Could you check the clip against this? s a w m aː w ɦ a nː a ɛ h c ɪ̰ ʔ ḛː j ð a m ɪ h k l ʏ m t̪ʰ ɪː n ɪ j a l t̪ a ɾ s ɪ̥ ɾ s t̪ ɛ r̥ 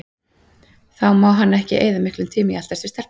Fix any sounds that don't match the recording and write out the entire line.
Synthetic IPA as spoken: θ a w m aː w ɦ a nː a ɛ h c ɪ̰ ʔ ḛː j ð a m ɪ h k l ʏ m t̪ʰ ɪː m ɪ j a l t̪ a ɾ s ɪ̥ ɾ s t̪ ɛ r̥